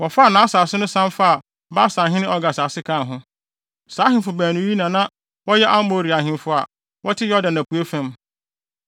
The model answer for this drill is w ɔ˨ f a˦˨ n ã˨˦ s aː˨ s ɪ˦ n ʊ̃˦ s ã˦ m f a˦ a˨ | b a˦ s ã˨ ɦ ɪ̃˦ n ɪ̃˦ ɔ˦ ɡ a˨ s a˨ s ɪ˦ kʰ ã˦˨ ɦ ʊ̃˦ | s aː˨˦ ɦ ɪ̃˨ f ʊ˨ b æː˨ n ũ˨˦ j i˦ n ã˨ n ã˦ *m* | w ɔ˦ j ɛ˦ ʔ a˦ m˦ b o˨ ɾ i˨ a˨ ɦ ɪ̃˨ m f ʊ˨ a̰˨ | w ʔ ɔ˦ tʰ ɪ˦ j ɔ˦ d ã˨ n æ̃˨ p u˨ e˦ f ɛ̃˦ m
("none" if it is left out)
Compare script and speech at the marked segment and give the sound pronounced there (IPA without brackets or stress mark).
none